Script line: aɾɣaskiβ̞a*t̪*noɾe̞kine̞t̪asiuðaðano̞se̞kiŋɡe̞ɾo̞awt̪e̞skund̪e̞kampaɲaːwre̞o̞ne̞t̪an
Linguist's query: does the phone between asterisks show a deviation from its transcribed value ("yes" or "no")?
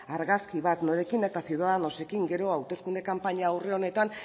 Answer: no